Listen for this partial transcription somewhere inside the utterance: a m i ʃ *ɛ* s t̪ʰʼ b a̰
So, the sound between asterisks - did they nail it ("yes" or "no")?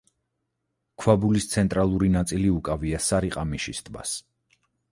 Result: no